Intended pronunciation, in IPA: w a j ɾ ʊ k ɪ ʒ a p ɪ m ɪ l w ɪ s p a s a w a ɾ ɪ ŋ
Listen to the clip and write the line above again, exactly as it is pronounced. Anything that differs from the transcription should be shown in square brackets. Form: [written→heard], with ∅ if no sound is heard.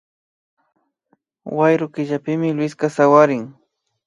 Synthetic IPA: w a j ɾ ʊ k ɪ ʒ a p ɪ m ɪ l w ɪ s [p→k] a s a w a ɾ ɪ ŋ